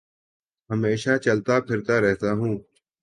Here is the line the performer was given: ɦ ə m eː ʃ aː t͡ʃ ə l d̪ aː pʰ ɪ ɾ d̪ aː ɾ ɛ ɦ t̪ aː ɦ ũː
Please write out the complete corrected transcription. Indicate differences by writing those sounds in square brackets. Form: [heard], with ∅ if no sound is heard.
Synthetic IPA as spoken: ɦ ə m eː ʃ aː t͡ʃ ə l [t̪] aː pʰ ɪ ɾ [t̪] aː ɾ ɛ ɦ t̪ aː ɦ ũː

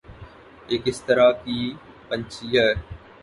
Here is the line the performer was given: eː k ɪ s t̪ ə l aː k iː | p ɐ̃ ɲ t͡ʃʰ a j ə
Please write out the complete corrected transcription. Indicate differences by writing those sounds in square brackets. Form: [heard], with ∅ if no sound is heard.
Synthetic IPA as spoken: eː k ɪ s t̪ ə [ɾ] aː k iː | p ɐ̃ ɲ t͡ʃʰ [i] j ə

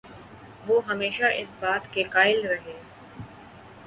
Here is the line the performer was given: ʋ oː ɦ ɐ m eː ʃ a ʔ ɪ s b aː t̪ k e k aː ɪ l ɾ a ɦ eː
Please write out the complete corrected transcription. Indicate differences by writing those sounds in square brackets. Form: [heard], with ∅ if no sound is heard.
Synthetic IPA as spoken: ʋ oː ɦ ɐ m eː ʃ a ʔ ɪ s b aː t̪ k e k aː ɪ l ɾ [ɐ] ɦ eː

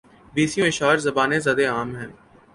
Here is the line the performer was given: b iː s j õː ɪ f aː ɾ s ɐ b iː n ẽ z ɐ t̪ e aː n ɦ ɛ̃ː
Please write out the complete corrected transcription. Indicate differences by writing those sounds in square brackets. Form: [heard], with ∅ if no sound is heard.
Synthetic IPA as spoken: b iː s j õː ɪ [ʃ] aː ɾ [z] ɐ b [aː] n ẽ z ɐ [d̪] e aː [m] ɦ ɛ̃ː

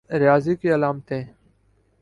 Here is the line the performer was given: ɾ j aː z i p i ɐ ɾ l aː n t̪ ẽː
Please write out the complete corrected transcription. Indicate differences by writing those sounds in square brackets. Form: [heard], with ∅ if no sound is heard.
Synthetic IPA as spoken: ɾ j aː z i [k] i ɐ [∅] l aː [m] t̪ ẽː

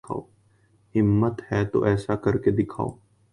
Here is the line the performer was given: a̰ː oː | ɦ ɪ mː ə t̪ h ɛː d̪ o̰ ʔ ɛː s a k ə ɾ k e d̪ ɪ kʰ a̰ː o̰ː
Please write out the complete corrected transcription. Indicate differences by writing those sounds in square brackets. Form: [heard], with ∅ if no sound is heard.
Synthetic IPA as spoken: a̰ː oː | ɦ ɪ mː ə t̪ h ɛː [t̪] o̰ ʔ ɛː s a k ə ɾ k e d̪ ɪ kʰ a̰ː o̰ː

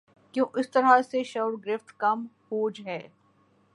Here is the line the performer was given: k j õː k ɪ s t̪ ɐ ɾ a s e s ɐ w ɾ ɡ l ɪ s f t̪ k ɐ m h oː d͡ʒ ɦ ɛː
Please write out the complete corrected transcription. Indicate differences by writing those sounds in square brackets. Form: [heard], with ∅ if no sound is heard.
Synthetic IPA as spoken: k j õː [ʔ] ɪ s t̪ ɐ ɾ a s e [ʃ] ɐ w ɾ ɡ [ɾ] ɪ [∅] f t̪ k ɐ m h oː d͡ʒ ɦ ɛː

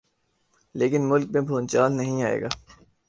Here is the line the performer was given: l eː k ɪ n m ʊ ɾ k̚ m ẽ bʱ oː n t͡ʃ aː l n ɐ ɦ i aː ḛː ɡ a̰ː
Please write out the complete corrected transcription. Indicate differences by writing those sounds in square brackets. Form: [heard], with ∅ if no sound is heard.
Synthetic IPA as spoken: l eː k ɪ n m ʊ [l] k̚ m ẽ bʱ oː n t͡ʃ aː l n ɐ ɦ [ĩ] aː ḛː ɡ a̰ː

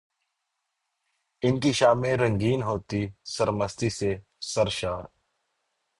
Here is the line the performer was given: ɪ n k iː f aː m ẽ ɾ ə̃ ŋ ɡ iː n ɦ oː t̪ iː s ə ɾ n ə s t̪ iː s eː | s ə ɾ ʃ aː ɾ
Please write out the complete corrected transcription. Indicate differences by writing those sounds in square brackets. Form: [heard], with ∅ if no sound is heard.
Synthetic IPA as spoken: ɪ n k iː [ʃ] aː m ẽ ɾ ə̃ ŋ ɡ iː n ɦ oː t̪ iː s ə ɾ [m] ə s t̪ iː s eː | s ə ɾ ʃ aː ɾ

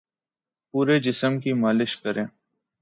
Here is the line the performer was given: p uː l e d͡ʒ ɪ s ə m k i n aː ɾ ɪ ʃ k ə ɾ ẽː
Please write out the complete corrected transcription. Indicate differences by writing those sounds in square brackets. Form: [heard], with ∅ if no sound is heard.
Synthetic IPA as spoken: p uː [ɾ] e d͡ʒ ɪ s ə m k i [m] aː [l] ɪ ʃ k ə ɾ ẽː

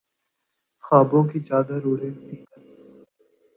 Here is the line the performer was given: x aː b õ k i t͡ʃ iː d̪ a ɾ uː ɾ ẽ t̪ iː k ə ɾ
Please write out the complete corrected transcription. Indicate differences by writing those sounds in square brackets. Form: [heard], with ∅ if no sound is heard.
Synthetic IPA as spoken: x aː b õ k i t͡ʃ [aː] d̪ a ɾ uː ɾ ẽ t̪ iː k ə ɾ

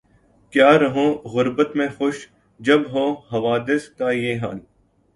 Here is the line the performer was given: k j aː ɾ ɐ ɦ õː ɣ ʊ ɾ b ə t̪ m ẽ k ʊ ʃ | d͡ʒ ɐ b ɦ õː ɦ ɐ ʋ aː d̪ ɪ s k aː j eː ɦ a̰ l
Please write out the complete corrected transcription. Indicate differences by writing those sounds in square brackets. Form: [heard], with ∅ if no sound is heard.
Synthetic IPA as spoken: k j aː ɾ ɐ ɦ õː ɣ ʊ ɾ b ə t̪ m ẽ [x] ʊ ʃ | d͡ʒ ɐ b ɦ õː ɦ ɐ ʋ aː d̪ ɪ s k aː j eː ɦ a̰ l

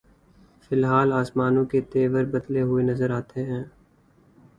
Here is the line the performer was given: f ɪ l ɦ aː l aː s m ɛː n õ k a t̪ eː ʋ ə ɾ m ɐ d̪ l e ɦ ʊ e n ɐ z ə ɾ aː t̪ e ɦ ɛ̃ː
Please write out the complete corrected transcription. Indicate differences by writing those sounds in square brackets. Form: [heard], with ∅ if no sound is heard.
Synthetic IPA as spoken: f ɪ l ɦ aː l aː s m [aː] n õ k [e] t̪ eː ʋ ə ɾ [b] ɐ d̪ l e ɦ ʊ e n ɐ z ə ɾ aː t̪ e ɦ ɛ̃ː

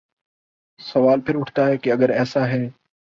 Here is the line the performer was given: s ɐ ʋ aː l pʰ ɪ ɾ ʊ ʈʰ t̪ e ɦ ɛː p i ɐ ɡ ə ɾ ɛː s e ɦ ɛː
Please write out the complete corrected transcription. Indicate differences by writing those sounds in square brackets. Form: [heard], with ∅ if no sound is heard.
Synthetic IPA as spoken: s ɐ ʋ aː l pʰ ɪ ɾ ʊ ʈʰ t̪ [a] ɦ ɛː [k] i ɐ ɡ ə ɾ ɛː s [a] ɦ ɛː

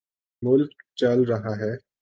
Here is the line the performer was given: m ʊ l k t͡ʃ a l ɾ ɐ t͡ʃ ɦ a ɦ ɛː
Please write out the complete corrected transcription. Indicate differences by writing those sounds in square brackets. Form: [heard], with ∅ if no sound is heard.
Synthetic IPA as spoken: m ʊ l k t͡ʃ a l ɾ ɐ [∅] ɦ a ɦ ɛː

